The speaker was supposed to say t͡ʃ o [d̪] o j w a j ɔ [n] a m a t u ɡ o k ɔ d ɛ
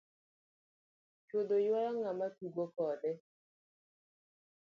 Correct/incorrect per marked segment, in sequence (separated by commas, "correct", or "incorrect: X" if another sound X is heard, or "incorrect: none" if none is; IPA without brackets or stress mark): correct, incorrect: ŋ